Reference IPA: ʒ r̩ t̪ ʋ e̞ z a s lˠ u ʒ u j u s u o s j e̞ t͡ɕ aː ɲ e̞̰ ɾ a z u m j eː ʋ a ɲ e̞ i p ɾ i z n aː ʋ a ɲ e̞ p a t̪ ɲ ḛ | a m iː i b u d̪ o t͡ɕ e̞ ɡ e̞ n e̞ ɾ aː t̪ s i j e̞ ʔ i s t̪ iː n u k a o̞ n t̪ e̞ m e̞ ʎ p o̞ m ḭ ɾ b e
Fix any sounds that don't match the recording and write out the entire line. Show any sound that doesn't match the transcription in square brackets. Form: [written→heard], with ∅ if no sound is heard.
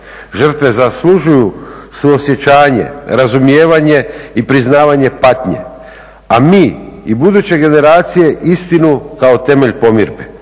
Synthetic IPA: ʒ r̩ t̪ ʋ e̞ z a s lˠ u ʒ u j u s u o s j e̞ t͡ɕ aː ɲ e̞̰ ɾ a z u m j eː ʋ a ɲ e̞ i p ɾ i z n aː ʋ a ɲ e̞ p a t̪ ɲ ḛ | a m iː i b u d̪ [o→u] t͡ɕ e̞ ɡ e̞ n e̞ ɾ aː t̪ s i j e̞ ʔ i s t̪ [iː→i] n u k a o̞ [n→∅] t̪ e̞ m e̞ ʎ p o̞ m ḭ ɾ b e